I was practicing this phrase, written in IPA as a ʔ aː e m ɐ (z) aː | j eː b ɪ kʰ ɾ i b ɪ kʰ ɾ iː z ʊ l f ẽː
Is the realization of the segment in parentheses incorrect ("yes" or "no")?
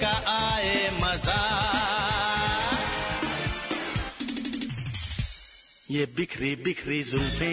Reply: no